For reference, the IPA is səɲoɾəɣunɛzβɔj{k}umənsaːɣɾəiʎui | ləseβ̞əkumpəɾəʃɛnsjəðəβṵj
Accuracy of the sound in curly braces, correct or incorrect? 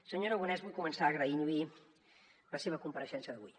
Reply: correct